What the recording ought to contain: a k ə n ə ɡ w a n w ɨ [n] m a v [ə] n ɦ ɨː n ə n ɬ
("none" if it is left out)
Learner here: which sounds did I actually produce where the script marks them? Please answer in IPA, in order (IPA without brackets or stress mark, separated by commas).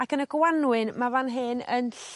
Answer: n, a